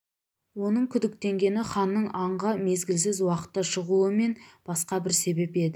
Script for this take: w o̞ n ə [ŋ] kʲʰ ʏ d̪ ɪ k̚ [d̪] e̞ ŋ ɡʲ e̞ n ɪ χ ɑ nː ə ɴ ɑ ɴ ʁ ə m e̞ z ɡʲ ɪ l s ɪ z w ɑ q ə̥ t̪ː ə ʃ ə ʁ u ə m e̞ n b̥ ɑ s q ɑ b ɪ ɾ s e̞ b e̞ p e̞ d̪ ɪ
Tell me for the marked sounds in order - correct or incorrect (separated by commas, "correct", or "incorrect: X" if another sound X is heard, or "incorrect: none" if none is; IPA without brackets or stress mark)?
incorrect: ɴ, incorrect: t̪